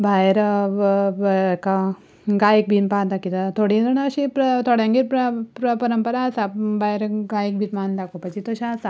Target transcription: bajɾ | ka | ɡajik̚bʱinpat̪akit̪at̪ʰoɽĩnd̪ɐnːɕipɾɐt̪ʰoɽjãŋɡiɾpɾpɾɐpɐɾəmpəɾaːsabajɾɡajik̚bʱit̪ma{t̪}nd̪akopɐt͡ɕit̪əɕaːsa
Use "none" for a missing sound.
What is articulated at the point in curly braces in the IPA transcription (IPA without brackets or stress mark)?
none